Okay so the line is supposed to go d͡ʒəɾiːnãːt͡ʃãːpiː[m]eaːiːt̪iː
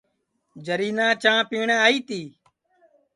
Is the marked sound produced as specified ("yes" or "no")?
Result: no